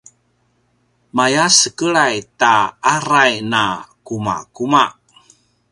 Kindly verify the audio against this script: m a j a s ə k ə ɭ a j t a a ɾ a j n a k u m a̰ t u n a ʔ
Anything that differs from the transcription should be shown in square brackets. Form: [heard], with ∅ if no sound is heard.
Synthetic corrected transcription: m a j a s ə k ə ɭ a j t a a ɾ a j n a k u m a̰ [k] u [m] a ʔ

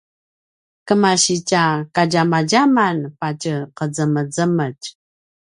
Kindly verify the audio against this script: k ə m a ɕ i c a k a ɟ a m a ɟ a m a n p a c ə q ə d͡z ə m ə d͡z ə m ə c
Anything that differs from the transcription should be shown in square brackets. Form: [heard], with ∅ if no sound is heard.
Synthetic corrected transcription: k ə m a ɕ i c a k a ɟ a m a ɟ a m a n p a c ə q ə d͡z ə m ə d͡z ə m ə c

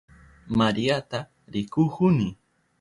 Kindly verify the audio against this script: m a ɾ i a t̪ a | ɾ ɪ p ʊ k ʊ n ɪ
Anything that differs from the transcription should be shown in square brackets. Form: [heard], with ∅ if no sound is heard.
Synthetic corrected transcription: m a ɾ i a t̪ a | ɾ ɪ [k] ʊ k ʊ n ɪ

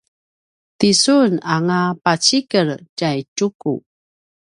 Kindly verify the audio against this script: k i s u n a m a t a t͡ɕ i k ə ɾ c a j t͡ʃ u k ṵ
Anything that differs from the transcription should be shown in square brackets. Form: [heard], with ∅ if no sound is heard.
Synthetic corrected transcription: [t] i s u n a [ŋ] a [p] a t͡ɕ i k ə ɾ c a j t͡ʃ u k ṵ

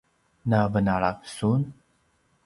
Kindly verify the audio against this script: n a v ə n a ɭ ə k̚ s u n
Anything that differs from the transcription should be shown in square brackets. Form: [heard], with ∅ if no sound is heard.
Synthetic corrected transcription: n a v ə n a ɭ [a] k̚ s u n

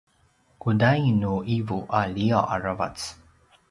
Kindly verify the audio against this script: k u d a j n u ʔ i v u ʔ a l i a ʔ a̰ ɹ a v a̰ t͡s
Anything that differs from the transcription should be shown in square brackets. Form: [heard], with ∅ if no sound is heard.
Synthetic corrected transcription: k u d a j n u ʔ i v u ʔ a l i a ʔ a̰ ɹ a v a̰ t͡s

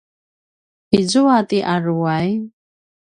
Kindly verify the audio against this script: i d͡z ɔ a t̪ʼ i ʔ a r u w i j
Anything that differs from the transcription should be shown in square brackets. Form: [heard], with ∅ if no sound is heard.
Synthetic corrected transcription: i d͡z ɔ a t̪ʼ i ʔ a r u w [a] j

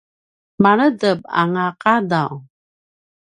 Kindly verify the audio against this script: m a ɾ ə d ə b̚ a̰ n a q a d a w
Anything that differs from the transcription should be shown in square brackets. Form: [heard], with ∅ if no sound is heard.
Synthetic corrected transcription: m a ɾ ə d ə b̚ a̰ [ŋ] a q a d a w

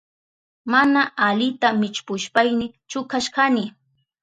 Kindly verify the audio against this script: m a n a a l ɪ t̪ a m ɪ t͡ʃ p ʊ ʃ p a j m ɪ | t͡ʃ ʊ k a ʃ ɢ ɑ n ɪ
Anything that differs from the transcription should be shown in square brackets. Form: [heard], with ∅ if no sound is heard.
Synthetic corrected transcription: m a n a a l ɪ t̪ a m ɪ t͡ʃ p ʊ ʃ p a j [n] ɪ | t͡ʃ ʊ k a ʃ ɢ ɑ n ɪ

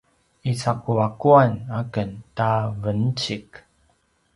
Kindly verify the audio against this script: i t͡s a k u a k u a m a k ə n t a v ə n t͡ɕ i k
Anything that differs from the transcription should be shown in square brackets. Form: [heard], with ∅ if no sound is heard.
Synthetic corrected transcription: i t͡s a k u a k u a [n] a k ə n t a v ə n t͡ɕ i k

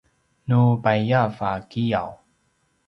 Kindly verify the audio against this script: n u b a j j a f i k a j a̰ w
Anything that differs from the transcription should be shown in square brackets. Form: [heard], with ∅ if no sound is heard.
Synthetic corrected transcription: n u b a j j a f [a] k [i] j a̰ w

